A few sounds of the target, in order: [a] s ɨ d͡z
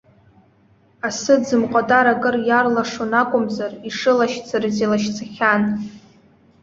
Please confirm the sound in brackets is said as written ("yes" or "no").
yes